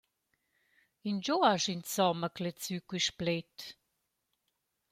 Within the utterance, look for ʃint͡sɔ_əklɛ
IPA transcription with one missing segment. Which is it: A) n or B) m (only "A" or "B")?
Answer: B